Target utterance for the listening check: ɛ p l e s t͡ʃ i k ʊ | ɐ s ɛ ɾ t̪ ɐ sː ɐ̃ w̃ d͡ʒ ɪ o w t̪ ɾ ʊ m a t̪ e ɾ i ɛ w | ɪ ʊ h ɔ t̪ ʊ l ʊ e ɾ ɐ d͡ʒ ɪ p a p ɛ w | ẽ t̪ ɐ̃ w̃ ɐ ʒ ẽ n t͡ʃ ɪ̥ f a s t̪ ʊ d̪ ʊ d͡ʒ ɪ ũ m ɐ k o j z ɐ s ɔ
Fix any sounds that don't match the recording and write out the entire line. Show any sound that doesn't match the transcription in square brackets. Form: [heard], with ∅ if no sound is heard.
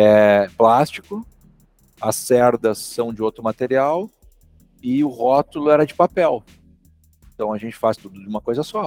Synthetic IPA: ɛ p l [a] s t͡ʃ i k ʊ | ɐ s ɛ ɾ [d̪] ɐ sː ɐ̃ w̃ d͡ʒ ɪ o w t̪ ɾ ʊ m a t̪ e ɾ i [a] w | ɪ ʊ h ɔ t̪ ʊ l ʊ [ɛ] ɾ ɐ d͡ʒ ɪ p a p ɛ w | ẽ t̪ ɐ̃ w̃ ɐ ʒ ẽ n t͡ʃ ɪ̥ f a s t̪ [u] d̪ ʊ d͡ʒ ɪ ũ m ɐ k o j z ɐ s ɔ